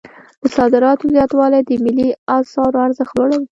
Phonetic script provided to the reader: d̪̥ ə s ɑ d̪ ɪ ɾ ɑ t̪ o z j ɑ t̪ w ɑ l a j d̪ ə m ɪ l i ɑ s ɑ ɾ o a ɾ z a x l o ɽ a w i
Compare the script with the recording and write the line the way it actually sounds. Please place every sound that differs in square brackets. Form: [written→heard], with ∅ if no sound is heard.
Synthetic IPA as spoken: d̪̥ ə s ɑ d̪ ɪ ɾ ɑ t̪ o z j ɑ t̪ w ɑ l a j d̪ ə m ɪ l i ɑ s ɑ ɾ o a ɾ z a x l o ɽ a w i